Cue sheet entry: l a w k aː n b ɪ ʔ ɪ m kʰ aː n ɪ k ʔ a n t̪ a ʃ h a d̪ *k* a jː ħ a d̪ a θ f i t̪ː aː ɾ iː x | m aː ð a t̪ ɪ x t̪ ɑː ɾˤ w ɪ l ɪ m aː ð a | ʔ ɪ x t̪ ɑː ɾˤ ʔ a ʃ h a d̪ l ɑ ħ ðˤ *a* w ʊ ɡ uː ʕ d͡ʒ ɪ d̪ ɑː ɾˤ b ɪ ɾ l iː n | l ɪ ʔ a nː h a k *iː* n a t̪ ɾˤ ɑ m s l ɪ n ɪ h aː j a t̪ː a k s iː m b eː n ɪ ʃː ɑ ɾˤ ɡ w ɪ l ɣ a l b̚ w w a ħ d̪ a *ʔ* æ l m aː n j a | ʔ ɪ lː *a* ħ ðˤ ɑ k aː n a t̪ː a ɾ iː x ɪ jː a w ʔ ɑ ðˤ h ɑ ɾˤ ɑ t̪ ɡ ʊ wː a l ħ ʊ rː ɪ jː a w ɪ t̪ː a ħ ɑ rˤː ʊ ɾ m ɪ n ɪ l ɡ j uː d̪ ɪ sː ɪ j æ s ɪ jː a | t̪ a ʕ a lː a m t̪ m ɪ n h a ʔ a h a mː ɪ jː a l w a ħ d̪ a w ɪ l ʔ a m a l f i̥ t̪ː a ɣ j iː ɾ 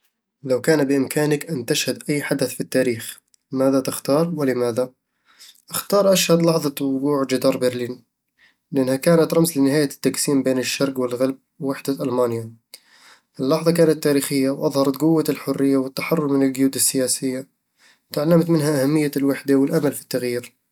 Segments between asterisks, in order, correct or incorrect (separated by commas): incorrect, incorrect, incorrect, correct, incorrect